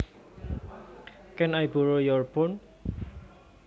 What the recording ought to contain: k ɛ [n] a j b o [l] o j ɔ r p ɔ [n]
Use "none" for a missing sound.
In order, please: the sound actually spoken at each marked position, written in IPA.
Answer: n, ɾ, n

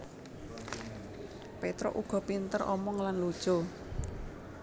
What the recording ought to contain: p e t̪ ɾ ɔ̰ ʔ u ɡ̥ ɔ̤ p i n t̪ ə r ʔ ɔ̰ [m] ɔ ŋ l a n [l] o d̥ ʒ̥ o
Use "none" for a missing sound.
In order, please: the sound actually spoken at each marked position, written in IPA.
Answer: m, l

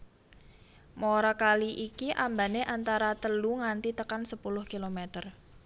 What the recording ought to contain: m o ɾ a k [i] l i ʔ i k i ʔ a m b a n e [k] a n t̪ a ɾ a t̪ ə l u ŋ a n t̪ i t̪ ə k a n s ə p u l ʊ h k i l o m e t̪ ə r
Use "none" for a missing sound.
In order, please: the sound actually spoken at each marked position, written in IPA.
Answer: a, ʔ

